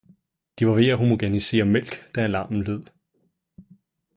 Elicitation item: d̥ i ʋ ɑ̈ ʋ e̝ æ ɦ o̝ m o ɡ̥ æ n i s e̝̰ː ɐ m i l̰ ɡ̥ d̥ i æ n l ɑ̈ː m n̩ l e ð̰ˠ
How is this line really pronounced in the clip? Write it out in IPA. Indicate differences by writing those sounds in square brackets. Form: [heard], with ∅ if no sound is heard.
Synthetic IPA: d̥ i ʋ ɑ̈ ʋ e̝ æ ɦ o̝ m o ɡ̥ æ n i s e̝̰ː ɐ m [e] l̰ ɡ̥ d̥ [æ] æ [∅] l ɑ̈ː m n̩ l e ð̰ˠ